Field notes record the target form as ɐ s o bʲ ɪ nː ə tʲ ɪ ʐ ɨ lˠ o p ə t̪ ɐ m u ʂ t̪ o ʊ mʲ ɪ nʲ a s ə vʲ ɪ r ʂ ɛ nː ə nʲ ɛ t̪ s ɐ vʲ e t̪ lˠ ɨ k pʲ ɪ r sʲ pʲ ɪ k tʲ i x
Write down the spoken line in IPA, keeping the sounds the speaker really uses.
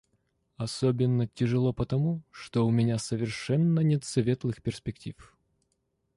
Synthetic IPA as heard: ɐ s o bʲ ɪ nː ə tʲ ɪ ʐ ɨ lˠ o p ə t̪ ɐ m u ʂ t̪ o ʊ mʲ ɪ nʲ a s ə vʲ ɪ r ʂ ɛ nː ə nʲ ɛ t̪ s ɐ vʲ e t̪ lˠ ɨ x pʲ ɪ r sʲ pʲ ɪ k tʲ i f